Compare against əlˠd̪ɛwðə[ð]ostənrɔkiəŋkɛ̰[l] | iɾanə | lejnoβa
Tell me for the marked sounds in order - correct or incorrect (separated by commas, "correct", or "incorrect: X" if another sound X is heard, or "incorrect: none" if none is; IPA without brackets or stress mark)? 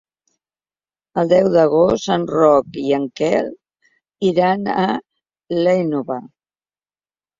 incorrect: ɣ, correct